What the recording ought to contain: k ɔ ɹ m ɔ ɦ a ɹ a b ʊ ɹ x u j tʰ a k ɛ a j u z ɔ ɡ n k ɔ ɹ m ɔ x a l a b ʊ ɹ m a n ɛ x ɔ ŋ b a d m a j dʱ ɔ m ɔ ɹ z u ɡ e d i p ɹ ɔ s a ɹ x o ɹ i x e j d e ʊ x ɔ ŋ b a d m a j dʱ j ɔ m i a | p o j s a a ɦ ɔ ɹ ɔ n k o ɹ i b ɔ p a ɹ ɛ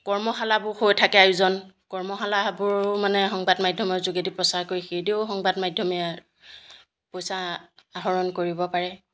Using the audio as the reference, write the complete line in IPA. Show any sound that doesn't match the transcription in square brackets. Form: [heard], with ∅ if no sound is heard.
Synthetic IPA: k ɔ ɹ m ɔ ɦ a [l] a b ʊ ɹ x [o] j tʰ a k ɛ a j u z ɔ [∅] n k ɔ ɹ m ɔ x a l a b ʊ ɹ m a n ɛ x ɔ ŋ b a d m a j dʱ ɔ m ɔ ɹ z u ɡ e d i p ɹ ɔ s a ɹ [k] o ɹ i x e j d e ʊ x ɔ ŋ b a d m a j dʱ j ɔ m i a | p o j s a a ɦ ɔ ɹ ɔ n k o ɹ i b ɔ p a ɹ ɛ